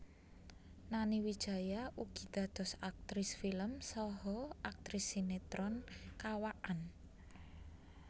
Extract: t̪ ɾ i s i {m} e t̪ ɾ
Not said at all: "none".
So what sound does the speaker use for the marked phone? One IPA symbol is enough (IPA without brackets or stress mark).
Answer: n